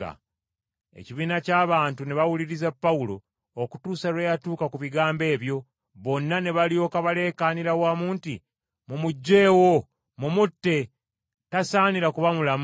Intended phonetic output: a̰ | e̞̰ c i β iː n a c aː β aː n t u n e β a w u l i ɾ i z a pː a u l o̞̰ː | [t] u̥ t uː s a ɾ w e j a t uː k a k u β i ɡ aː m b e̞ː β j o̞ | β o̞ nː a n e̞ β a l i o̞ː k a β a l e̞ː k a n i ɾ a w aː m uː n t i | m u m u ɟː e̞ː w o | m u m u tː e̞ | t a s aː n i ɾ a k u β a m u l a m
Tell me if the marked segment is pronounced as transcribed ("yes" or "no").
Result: no